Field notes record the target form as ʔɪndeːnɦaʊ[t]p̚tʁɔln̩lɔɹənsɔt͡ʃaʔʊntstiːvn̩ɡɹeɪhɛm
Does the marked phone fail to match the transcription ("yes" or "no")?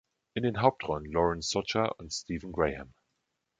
yes